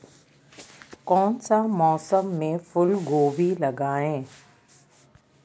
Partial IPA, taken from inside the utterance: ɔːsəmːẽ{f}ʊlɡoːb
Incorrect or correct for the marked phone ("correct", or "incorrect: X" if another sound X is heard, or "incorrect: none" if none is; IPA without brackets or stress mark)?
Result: correct